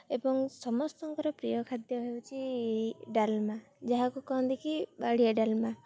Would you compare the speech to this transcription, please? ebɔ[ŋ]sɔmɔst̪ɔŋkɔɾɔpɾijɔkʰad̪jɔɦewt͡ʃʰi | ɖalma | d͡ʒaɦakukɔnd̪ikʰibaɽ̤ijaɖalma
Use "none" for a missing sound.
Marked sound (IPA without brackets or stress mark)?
ŋ